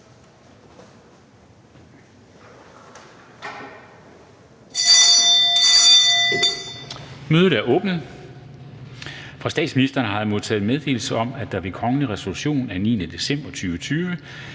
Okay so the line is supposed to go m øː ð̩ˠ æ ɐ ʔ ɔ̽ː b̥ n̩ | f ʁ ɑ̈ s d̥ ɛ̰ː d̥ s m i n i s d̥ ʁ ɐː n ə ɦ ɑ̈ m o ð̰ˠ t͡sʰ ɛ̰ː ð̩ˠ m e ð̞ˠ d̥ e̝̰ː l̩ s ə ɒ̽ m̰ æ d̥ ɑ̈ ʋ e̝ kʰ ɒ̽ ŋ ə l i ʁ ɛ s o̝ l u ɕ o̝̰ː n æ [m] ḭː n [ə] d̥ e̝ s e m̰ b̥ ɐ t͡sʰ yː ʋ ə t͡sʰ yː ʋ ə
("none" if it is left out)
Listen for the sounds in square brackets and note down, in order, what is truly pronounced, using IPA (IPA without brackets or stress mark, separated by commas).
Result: n, ə